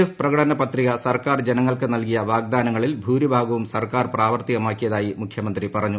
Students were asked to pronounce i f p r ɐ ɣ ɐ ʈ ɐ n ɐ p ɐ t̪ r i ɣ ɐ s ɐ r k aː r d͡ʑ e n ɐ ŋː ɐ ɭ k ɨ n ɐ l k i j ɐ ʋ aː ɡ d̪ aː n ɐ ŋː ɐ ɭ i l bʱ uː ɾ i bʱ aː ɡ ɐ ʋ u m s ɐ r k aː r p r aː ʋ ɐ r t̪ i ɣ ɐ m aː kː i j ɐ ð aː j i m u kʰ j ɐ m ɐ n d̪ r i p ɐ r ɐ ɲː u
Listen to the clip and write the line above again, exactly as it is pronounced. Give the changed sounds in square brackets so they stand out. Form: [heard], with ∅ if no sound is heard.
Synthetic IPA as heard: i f p r ɐ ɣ ɐ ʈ ɐ n ɐ p ɐ t̪ r i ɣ ɐ s ɐ r k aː r d͡ʑ e n ɐ ŋː ɐ ɭ k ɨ n ɐ l k i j ɐ ʋ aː ɡ d̪ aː n ɐ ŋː ɐ ɭ i l bʱ uː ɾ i bʱ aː ɡ ɐ ʋ u m s ɐ r k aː r p r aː ʋ ɐ r t̪ i ɣ ɐ m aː kː i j ɐ ð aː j i m u kʰ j ɐ m ɐ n d̪ r i p ɐ r ɐ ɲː u